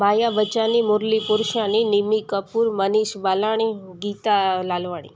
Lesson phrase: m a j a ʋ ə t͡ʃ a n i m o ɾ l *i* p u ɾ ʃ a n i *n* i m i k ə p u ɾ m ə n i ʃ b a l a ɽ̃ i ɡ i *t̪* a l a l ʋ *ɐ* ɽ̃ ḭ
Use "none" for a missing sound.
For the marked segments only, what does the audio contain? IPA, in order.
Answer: i, n, t̪, a

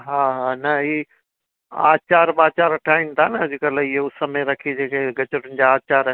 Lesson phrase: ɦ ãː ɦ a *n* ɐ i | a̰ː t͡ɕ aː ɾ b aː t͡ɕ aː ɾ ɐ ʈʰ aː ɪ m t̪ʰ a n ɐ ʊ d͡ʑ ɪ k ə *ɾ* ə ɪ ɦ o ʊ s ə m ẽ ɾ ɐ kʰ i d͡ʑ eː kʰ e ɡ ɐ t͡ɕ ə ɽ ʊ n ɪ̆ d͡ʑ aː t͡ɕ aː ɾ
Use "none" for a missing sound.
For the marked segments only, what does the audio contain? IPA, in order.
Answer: n, l

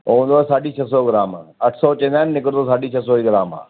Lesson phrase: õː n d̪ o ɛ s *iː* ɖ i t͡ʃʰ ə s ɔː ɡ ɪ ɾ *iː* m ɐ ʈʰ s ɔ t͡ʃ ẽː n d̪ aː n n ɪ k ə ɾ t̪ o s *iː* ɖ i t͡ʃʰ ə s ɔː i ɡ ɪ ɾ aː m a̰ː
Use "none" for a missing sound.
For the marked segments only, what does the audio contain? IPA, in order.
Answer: aː, aː, aː

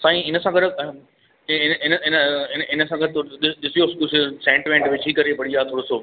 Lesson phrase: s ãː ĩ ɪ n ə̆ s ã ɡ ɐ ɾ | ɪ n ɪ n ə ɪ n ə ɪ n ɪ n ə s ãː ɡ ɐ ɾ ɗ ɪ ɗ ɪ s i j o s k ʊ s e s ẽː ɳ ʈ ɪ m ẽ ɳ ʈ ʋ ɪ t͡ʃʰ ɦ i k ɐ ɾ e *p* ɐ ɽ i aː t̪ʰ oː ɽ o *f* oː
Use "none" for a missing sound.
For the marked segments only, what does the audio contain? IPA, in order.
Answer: p, s

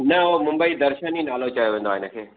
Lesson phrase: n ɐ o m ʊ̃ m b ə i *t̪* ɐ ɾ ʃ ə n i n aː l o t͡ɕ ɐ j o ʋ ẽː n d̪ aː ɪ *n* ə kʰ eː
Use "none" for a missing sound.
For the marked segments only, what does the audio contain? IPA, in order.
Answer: d̪, n

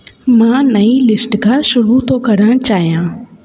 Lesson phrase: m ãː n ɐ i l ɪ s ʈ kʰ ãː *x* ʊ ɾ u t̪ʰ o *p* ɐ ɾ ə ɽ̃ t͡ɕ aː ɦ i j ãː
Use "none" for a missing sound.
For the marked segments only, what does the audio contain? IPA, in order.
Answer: ʃ, k

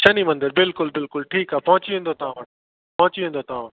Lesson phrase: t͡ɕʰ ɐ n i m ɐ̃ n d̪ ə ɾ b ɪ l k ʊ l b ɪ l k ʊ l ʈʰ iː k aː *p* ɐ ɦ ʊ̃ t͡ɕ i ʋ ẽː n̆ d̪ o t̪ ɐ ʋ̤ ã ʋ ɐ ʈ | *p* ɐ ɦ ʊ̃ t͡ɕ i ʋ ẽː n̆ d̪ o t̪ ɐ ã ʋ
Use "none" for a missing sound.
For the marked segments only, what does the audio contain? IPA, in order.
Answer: p, p

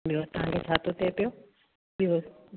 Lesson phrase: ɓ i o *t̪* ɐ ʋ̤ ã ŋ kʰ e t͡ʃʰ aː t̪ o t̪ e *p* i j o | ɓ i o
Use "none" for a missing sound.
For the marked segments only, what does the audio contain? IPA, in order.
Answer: t̪, p

